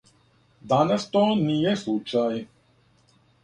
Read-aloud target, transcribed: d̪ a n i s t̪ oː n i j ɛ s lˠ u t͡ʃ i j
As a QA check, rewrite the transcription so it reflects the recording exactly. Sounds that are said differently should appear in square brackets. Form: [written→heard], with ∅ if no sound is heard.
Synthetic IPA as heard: d̪ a n [i→a] s t̪ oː n i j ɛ s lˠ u t͡ʃ [i→a] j